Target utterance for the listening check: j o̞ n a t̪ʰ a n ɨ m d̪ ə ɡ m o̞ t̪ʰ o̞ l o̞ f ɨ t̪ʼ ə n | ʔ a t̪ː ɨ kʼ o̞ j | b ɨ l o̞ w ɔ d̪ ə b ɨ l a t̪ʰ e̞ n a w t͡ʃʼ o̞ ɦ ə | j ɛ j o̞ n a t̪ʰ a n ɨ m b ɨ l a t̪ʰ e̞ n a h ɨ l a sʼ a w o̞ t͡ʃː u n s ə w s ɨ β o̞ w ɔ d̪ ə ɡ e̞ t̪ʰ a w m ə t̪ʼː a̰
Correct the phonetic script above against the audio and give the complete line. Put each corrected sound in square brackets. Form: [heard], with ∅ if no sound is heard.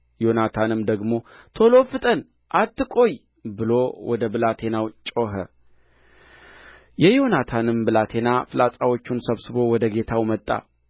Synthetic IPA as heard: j o̞ n a t̪ʰ a n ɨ m d̪ ə ɡ m o̞ t̪ʰ o̞ l o̞ f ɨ t̪ʼ ə n | ʔ a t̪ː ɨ kʼ o̞ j | b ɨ l o̞ w ɔ d̪ ə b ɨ l a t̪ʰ e̞ n a w t͡ʃʼ o̞ ɦ ə | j ɛ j o̞ n a t̪ʰ a n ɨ m b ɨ l a t̪ʰ e̞ n a [f] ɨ l a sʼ a w o̞ t͡ʃː u n s ə [β] s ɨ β o̞ w ɔ d̪ ə ɡ e̞ t̪ʰ a w m ə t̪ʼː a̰

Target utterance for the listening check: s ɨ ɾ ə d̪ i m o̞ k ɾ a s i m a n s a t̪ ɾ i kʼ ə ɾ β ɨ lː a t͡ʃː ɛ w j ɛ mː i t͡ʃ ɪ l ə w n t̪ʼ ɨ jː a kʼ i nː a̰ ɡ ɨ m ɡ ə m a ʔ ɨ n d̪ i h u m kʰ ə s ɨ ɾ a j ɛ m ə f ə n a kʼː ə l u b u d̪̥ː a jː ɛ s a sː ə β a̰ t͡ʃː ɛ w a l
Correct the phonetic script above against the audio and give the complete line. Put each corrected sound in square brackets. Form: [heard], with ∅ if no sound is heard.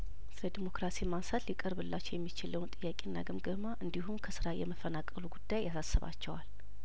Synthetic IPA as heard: s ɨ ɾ ə d̪ i m o̞ k ɾ a s i m a n s a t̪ [l] i kʼ ə ɾ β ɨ lː a t͡ʃː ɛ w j ɛ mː i t͡ʃ ɪ l ə w n t̪ʼ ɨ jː a kʼ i nː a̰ ɡ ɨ m ɡ ə m a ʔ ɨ n d̪ i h u m kʰ ə s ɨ ɾ a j ɛ m ə f ə n a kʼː ə l u [ɡ] u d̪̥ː a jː [a] s a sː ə β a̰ t͡ʃː ɛ w a l

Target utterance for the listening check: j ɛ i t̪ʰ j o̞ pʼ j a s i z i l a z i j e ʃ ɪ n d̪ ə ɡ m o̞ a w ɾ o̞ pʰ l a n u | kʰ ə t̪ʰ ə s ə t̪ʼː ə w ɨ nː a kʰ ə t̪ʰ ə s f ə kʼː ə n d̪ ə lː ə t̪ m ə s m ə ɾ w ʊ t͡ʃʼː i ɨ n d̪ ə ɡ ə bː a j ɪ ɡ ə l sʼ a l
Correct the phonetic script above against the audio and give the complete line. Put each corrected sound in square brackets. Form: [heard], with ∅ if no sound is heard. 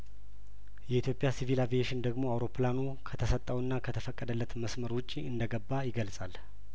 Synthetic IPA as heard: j ɛ i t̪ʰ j o̞ pʼ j a s i [v] i l a [v] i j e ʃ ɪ n d̪ ə ɡ m o̞ a w ɾ o̞ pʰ l a n u | kʰ ə t̪ʰ ə s ə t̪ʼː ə w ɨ nː a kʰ ə t̪ʰ ə [∅] f ə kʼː ə [∅] d̪ ə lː ə t̪ m ə s m ə ɾ w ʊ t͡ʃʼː i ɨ n d̪ ə ɡ ə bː a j ɪ ɡ ə l sʼ a l

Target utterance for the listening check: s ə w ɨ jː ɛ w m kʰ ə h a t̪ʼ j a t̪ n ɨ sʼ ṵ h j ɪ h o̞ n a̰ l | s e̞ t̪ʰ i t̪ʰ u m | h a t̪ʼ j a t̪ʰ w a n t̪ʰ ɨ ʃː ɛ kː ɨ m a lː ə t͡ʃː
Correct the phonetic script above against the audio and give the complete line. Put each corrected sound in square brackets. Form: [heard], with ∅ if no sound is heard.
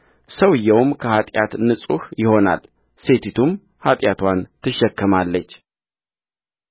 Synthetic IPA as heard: s ə w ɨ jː ɛ w m kʰ ə h a t̪ʼ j a t̪ n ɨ sʼ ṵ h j ɪ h o̞ n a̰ l | s e̞ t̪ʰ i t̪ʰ u m | h a t̪ʼ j a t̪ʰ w a n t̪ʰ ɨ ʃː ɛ kː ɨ m a lː ə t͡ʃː

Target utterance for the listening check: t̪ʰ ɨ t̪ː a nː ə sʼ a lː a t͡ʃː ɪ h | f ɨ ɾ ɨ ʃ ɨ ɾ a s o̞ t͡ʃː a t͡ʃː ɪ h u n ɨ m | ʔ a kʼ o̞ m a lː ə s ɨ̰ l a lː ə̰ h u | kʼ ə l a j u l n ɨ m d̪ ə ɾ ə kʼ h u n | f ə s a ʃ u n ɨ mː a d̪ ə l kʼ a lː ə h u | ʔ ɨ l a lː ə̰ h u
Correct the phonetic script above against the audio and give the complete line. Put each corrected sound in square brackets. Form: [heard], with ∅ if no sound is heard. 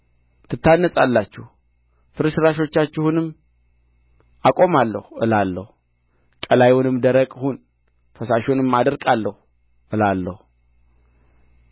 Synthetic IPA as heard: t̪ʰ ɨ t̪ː a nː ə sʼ a lː a t͡ʃː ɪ h | f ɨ ɾ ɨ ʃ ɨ ɾ a [ʃ] o̞ t͡ʃː a t͡ʃː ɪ h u n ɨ m | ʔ a kʼ o̞ m a lː ə [h] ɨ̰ l a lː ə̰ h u | kʼ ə l a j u [∅] n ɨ m d̪ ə ɾ ə kʼ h u n | f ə s a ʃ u n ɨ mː a d̪ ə [ɾ] kʼ a lː ə h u | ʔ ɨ l a lː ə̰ h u

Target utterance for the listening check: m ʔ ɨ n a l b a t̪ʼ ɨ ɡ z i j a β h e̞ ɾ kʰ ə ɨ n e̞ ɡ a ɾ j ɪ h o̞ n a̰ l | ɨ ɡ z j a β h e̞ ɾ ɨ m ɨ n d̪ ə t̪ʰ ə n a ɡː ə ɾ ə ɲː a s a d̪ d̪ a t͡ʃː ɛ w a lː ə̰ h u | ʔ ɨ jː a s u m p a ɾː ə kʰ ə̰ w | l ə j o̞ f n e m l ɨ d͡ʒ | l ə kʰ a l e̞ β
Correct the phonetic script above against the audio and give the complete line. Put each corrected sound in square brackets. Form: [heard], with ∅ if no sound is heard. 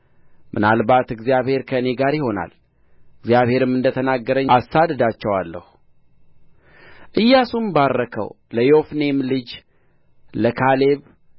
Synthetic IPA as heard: m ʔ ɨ n a l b a [t̪] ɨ ɡ z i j a β h e̞ ɾ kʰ ə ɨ n e̞ ɡ a ɾ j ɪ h o̞ n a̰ l | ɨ ɡ z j a β h e̞ ɾ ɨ m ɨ n d̪ ə t̪ʰ ə n a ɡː ə ɾ ə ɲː a s a d̪ d̪ a t͡ʃː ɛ w a lː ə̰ h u | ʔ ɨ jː a s u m [b] a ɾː ə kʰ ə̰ w | l ə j o̞ f n e m l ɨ d͡ʒ | l ə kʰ a l e̞ β

